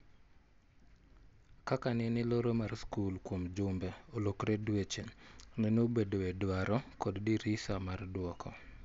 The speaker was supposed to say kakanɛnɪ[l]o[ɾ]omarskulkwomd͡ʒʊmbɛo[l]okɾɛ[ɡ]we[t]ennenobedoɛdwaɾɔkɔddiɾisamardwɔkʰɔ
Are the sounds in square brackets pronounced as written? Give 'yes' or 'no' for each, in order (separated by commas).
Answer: yes, yes, yes, no, no